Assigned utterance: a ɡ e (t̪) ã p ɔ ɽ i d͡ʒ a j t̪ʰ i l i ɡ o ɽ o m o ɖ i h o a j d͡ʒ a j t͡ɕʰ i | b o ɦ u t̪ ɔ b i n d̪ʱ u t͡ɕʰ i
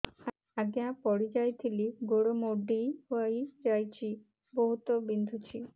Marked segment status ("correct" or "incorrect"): incorrect